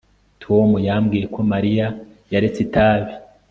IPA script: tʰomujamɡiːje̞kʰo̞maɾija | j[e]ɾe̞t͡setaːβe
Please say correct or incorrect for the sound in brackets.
incorrect: a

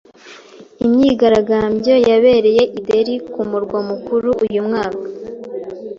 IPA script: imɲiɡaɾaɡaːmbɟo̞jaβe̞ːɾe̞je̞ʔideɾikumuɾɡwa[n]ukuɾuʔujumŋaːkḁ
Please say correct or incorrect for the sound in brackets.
incorrect: m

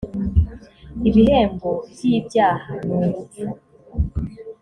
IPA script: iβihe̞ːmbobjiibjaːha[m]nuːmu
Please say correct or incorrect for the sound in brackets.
incorrect: none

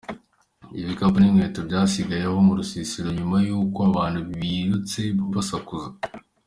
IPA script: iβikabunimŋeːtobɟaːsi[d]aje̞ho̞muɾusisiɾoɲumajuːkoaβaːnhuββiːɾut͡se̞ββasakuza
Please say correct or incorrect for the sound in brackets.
incorrect: ɡ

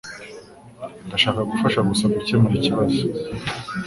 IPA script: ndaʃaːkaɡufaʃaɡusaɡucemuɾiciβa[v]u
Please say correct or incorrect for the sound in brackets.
incorrect: z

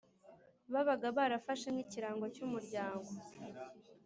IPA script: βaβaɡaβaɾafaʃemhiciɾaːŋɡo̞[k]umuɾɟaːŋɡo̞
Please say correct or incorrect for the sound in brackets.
incorrect: c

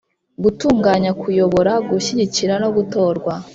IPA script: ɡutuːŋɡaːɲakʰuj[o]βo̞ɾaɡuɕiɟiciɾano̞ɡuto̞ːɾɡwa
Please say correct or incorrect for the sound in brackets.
correct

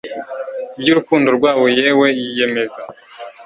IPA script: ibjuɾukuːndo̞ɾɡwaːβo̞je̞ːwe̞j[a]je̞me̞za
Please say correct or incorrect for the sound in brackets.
incorrect: i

